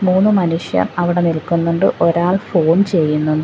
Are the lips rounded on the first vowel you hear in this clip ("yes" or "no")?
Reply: yes